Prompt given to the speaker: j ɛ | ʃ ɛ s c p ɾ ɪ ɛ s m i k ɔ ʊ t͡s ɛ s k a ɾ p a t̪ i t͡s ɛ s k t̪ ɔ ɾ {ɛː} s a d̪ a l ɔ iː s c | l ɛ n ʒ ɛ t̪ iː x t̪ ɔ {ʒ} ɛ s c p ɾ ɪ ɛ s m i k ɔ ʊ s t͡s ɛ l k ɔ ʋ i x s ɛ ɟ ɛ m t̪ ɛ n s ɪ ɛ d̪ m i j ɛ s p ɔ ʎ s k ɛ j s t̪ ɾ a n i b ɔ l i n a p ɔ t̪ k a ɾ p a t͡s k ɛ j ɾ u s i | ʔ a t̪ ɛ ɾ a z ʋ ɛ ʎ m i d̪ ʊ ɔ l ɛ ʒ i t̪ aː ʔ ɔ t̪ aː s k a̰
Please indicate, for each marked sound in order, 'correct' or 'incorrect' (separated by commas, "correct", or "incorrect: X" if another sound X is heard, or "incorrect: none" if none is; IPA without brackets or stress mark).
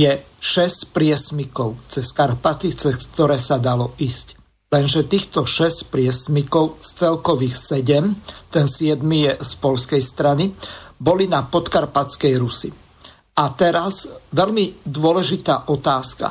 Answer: correct, incorrect: ʃ